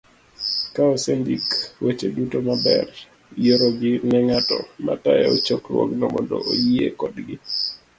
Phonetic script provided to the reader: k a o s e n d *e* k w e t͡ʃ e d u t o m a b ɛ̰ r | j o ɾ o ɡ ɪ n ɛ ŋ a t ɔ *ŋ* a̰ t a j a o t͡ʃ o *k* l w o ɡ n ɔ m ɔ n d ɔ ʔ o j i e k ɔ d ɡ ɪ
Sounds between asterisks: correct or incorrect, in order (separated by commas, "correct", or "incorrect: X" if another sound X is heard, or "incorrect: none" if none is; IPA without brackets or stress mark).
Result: incorrect: i, incorrect: m, correct